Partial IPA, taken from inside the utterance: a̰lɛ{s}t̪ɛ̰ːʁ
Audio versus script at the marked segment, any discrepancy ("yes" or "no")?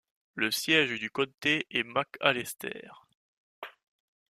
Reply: no